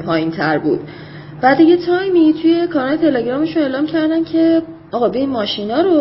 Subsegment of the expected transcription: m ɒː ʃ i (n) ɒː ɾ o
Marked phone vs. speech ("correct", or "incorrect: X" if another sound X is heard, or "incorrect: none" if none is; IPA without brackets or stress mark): correct